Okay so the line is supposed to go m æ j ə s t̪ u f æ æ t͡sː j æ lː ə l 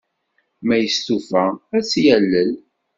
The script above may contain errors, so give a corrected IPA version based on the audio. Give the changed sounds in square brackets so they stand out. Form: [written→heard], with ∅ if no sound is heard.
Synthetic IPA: m æ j ə s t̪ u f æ æ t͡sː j æ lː ə l